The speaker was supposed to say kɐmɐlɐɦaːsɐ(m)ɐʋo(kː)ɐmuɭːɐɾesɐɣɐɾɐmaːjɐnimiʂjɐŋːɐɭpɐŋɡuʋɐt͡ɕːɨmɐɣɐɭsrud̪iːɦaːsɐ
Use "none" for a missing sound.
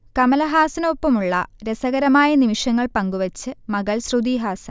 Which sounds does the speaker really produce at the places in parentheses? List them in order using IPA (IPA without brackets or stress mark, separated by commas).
n, pː